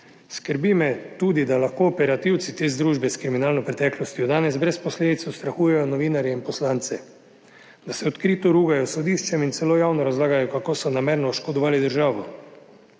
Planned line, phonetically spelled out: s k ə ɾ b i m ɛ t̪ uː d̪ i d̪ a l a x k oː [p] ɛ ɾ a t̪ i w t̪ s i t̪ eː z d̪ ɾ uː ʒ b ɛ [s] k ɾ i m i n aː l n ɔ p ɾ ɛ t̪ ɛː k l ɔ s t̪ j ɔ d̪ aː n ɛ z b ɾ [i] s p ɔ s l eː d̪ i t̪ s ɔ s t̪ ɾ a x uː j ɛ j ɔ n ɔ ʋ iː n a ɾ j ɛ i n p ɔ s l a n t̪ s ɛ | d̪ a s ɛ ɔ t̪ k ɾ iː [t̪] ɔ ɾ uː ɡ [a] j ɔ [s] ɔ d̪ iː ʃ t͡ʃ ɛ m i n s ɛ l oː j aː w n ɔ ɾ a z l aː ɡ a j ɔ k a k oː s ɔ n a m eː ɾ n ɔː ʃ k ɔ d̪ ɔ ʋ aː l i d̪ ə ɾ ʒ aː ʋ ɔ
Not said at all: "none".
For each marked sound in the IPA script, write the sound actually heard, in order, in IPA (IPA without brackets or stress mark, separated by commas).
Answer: p, s, ɛ, t̪, a, s